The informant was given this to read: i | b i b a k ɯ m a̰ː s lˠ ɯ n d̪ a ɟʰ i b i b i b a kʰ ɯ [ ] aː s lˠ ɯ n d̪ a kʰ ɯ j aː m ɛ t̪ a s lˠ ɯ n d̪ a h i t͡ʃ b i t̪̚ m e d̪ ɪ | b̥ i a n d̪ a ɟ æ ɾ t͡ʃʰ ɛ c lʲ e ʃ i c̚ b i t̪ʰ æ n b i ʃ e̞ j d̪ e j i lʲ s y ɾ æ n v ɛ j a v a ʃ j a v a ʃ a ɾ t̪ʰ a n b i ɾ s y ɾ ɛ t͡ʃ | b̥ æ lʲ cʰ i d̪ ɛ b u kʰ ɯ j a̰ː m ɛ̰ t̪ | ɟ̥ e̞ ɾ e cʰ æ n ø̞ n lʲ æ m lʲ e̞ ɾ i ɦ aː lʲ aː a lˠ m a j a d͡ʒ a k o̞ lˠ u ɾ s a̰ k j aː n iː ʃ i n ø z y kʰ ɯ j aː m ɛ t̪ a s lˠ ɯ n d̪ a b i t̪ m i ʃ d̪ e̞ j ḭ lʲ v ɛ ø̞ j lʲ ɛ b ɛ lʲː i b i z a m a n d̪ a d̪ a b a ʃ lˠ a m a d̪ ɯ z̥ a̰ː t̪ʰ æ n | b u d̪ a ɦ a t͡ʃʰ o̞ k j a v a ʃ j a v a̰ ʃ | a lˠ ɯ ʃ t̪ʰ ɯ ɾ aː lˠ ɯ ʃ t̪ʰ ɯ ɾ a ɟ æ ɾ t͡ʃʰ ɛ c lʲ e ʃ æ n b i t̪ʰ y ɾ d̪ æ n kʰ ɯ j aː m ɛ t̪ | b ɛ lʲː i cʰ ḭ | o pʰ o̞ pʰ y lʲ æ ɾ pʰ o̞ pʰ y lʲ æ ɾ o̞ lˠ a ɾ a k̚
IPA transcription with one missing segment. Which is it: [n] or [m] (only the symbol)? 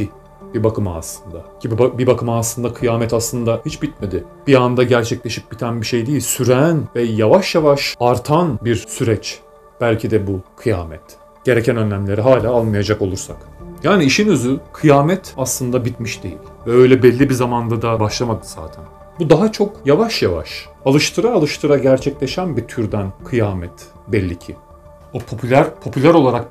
m